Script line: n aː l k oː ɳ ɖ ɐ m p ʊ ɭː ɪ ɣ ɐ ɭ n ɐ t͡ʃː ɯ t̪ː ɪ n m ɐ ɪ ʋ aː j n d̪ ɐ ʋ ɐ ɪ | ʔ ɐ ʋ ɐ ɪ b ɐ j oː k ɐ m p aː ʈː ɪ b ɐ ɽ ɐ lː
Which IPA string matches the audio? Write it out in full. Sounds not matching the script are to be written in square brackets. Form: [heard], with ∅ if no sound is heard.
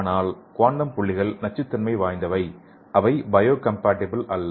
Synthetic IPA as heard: n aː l k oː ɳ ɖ ɐ m p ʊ ɭː ɪ ɣ ɐ ɭ n ɐ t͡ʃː ɯ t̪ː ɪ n m ɐ ɪ ʋ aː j n d̪ ɐ ʋ ɐ ɪ | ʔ ɐ ʋ ɐ ɪ b ɐ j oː k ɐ m p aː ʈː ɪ b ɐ [l] ɐ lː